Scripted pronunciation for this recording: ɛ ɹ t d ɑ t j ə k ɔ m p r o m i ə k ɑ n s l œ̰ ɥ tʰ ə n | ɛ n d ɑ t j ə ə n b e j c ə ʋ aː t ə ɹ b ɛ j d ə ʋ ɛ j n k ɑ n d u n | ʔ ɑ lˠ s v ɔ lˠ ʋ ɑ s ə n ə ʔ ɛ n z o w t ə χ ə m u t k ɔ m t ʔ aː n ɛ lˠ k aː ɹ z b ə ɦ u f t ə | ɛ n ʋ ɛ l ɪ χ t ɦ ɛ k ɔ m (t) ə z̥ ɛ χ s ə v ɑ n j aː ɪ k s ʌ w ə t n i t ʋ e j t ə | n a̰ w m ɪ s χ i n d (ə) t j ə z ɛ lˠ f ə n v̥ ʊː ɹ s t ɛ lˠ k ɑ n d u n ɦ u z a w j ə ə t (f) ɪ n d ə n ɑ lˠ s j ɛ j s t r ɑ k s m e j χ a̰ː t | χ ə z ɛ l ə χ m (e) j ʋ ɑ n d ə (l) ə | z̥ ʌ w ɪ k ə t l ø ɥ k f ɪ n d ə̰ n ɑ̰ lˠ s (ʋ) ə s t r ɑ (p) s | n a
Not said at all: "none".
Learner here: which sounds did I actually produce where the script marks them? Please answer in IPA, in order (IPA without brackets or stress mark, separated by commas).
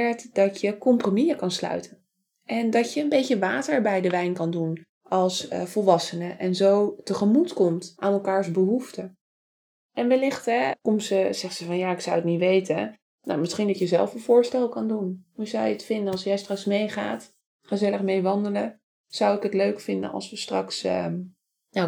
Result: s, ɑ, f, e, l, ʋ, k